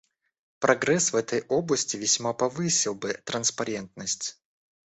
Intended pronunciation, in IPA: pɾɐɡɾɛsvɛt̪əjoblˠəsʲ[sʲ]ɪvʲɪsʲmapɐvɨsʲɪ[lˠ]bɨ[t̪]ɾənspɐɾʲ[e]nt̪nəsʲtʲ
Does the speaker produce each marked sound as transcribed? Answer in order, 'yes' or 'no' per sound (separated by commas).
no, yes, yes, yes